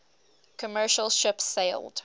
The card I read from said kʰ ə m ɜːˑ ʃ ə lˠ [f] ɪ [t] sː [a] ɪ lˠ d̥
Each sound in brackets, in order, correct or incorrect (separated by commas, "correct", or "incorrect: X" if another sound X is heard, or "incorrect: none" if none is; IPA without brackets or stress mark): incorrect: ʃ, incorrect: p, incorrect: e